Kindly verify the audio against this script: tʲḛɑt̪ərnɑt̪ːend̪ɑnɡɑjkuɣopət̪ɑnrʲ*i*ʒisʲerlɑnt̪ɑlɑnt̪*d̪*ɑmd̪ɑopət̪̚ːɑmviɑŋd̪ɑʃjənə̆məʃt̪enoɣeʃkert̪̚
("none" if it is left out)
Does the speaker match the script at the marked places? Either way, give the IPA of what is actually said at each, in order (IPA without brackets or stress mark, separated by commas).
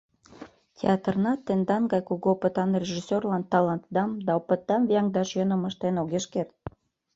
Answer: e, d̪